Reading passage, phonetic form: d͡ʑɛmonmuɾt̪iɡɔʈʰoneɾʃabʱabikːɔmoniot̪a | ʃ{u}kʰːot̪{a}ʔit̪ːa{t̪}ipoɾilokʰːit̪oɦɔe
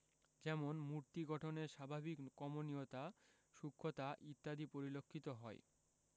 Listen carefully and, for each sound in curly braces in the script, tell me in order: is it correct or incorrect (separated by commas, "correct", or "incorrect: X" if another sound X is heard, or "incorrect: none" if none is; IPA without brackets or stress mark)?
correct, correct, incorrect: d̪